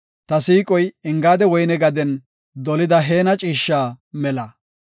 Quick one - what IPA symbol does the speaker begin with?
t̪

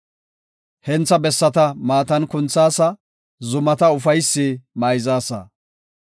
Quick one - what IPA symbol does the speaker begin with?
h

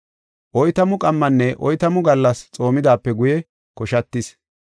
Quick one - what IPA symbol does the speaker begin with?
ʔ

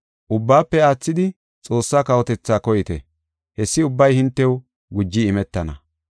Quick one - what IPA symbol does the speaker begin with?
ʔ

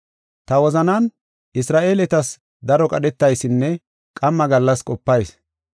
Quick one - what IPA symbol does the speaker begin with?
t̪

